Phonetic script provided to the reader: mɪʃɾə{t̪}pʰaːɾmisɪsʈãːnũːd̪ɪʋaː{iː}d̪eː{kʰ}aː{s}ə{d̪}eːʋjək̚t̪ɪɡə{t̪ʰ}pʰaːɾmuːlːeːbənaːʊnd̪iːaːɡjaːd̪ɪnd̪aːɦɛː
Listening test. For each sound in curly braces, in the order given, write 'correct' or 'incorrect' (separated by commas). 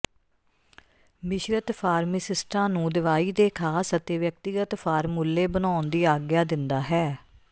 correct, correct, correct, correct, incorrect, incorrect